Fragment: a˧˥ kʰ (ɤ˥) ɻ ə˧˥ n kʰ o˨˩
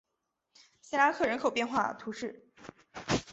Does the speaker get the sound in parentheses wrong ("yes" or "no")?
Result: yes